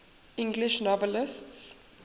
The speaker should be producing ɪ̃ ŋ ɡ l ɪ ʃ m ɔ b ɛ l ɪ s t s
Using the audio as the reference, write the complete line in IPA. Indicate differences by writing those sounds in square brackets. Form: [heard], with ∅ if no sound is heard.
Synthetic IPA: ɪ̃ ŋ ɡ l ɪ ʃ [n] ɔ [v] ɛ l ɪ s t s